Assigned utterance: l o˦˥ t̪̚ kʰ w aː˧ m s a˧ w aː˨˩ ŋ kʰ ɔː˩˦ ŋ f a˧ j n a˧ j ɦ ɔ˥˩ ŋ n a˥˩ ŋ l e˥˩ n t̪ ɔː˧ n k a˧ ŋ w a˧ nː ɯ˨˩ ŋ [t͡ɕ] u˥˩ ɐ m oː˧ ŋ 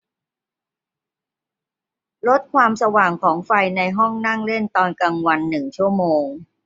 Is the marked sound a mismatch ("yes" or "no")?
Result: yes